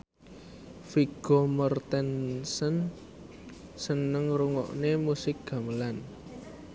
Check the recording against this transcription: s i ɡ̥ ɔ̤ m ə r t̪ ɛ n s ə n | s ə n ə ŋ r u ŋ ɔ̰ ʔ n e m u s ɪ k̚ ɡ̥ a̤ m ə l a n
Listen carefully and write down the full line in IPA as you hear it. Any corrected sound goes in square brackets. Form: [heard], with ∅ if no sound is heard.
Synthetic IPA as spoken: [f] i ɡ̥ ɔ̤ m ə r t̪ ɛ n s ə n | s ə n ə ŋ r u ŋ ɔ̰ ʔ n e m u s ɪ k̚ ɡ̥ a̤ m ə l a n